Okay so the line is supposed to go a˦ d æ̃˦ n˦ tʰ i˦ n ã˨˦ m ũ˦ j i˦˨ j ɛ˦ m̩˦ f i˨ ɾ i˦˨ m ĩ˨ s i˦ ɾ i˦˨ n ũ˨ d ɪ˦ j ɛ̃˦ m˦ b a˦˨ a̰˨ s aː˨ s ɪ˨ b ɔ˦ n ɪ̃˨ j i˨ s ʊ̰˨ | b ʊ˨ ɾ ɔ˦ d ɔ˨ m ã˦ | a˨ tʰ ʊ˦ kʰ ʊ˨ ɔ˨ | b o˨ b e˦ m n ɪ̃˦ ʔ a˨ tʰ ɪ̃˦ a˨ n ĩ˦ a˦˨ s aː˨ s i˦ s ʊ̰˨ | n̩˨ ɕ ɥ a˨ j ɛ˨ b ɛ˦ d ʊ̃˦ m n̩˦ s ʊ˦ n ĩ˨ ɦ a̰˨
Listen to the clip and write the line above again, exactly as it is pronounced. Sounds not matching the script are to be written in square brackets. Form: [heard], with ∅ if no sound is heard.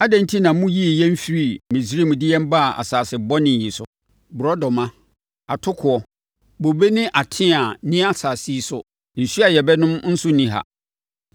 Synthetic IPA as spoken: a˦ d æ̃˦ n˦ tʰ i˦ n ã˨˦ m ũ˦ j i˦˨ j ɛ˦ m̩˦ f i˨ ɾ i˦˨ m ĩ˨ s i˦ ɾ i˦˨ [m] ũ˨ d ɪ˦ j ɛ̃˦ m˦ b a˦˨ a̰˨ s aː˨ s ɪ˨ b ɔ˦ n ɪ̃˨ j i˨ s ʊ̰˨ | b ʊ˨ ɾ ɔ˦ d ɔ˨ m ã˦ | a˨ tʰ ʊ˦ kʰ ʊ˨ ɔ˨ | b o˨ b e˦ [∅] n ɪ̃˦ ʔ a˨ tʰ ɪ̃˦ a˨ n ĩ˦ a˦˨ s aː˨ s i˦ s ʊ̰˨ | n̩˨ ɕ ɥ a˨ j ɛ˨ b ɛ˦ [n] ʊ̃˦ m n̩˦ s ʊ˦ n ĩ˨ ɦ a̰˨